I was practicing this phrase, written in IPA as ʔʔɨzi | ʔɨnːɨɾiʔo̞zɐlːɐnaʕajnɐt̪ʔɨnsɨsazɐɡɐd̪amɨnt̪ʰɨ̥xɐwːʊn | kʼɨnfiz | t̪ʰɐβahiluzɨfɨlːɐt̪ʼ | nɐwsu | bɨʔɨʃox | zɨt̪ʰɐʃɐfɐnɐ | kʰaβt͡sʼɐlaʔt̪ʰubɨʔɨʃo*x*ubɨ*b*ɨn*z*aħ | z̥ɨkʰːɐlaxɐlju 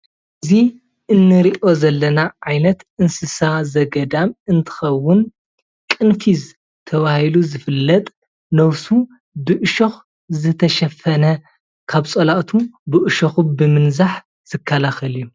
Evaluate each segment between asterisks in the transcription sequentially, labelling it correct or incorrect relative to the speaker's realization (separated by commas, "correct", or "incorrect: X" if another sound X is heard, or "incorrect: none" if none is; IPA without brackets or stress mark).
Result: correct, incorrect: m, correct